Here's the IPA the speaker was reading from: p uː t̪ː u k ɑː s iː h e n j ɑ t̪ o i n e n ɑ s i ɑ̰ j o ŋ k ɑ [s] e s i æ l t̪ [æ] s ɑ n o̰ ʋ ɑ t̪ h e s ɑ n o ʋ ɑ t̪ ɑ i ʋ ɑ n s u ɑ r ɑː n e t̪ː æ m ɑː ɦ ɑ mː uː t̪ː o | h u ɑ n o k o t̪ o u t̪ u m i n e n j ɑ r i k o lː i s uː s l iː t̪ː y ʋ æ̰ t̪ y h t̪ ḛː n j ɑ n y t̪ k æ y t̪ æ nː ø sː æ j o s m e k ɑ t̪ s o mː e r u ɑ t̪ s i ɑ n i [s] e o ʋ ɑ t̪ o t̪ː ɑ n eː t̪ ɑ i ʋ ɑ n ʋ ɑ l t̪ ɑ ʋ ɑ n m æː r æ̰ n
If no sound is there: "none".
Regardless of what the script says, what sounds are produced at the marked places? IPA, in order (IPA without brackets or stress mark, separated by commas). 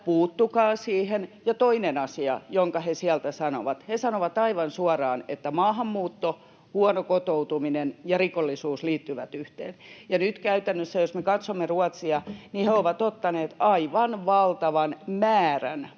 h, æ, h